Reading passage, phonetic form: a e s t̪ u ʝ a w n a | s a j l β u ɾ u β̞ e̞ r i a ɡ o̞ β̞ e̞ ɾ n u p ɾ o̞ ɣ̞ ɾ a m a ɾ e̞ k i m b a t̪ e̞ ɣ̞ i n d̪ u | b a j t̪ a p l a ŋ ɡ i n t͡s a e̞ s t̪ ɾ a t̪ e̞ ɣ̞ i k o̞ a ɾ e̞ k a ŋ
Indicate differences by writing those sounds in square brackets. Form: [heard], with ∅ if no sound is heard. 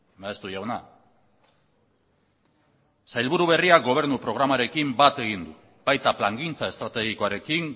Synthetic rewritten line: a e s t̪ u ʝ a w n a | s a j l β u ɾ u β̞ e̞ r i a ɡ o̞ β̞ e̞ ɾ n u p ɾ o̞ ɣ̞ ɾ a m a ɾ e̞ k i m b a t̪ e̞ ɣ̞ i n d̪ u | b a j t̪ a p l a ŋ ɡ i n t͡s a e̞ s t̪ ɾ a t̪ e̞ ɣ̞ i k o̞ a ɾ e̞ k [i] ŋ